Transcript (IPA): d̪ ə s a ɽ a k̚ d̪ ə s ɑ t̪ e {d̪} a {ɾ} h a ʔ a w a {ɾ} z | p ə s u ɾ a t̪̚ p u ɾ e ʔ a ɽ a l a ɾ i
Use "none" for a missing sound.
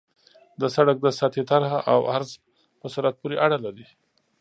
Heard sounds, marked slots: t̪, ɾ, ɾ

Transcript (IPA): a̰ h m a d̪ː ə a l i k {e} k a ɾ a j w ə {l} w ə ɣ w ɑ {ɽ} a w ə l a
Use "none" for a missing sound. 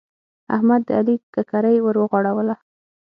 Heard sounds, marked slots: a, ɾ, ɽ

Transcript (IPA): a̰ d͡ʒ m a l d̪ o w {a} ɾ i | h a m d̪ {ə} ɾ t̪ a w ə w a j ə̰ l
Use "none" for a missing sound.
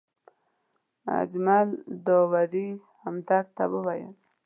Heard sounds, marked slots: a, a

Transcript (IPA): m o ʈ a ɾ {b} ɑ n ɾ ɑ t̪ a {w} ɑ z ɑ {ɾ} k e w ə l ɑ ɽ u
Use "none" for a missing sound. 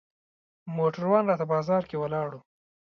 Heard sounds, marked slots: w, b, ɾ

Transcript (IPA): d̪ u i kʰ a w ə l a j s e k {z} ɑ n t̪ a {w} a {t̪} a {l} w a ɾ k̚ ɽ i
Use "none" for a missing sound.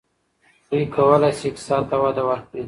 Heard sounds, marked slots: s, w, d̪, none

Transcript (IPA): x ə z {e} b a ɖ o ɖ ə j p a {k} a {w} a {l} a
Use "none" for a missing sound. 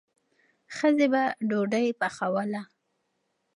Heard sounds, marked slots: e, x, w, l

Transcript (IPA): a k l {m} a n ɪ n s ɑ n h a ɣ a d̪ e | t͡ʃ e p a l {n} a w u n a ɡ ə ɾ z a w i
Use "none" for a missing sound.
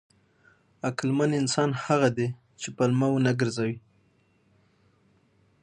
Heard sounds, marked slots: m, m

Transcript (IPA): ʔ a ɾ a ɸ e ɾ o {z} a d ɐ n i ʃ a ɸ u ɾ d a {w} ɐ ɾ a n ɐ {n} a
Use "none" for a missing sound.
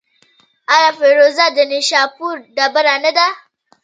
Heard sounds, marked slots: z, b, d

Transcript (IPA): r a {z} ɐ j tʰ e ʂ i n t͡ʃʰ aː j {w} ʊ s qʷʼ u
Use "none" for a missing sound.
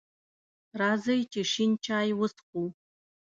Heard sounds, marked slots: z, w

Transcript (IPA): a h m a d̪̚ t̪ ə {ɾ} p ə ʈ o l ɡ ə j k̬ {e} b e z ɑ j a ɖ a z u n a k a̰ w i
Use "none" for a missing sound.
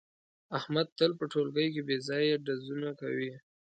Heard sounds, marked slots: l, e

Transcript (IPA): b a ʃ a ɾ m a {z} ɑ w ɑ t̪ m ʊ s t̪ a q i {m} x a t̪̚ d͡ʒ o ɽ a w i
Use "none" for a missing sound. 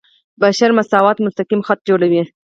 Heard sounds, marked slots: s, m

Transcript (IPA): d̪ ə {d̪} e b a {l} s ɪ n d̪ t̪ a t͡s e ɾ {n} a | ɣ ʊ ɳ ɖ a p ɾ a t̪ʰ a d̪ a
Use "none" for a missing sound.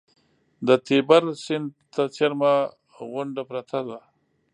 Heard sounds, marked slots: t̪, ɾ, m

